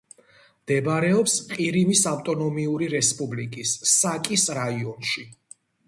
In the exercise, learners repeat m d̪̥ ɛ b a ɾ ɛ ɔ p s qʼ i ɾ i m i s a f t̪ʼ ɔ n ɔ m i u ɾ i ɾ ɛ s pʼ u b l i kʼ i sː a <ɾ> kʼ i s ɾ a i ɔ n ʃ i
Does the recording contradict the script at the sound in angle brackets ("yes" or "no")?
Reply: yes